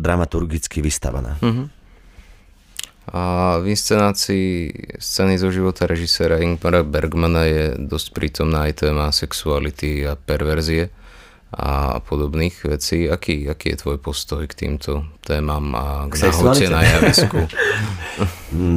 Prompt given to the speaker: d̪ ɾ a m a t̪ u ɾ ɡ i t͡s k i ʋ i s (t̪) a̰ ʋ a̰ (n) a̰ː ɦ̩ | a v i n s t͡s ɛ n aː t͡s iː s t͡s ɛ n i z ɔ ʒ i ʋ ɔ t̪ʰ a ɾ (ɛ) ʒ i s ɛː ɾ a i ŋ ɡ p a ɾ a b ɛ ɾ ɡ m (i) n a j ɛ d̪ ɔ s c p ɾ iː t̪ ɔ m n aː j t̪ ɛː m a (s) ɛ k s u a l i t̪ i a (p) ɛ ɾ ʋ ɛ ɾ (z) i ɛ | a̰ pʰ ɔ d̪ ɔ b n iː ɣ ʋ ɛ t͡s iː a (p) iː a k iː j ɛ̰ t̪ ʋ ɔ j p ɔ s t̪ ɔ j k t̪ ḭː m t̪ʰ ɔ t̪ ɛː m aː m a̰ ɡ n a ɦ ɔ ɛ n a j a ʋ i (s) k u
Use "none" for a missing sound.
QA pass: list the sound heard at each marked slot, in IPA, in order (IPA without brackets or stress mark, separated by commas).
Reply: t̪, n, ɛ, a, s, p, z, k, s